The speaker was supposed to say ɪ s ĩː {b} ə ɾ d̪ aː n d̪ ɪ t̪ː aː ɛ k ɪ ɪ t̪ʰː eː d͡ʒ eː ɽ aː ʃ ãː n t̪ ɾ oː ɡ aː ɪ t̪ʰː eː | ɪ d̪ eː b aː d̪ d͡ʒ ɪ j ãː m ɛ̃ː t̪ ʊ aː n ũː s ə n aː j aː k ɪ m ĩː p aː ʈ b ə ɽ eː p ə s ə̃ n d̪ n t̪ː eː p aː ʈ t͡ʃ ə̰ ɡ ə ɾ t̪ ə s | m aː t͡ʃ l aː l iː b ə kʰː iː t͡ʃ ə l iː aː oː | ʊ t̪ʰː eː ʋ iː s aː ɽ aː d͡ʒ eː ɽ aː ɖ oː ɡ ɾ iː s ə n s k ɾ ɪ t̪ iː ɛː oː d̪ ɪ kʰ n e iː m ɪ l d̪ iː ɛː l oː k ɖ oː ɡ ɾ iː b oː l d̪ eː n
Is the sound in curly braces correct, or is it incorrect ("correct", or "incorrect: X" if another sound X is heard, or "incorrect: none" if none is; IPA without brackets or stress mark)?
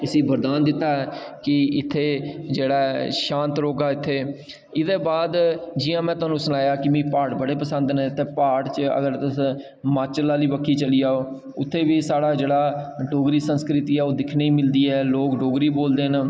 correct